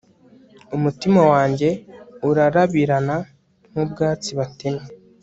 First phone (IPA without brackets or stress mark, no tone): u